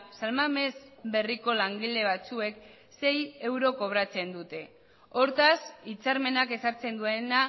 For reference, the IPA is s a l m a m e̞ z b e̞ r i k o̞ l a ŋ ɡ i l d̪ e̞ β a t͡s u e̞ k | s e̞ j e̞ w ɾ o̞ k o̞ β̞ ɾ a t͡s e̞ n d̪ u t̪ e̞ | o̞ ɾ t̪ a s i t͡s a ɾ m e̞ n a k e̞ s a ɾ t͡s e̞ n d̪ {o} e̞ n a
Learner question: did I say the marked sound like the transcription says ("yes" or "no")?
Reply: no